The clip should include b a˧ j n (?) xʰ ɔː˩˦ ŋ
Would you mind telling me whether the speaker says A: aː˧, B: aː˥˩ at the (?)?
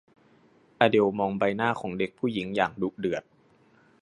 B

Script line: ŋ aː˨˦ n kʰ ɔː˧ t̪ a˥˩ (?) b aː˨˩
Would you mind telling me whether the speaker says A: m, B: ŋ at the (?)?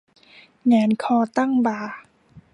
B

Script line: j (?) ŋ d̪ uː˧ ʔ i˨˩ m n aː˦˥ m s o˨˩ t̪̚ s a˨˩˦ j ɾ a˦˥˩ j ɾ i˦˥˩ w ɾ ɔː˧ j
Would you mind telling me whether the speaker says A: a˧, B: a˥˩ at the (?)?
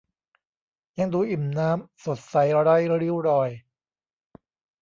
A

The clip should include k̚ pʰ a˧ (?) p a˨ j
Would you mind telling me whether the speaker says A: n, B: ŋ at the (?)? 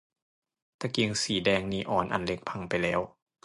B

